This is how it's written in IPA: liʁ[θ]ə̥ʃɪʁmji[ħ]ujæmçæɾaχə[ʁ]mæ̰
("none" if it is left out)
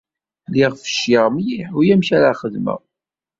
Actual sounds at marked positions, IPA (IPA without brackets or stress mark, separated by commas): f, ħ, ð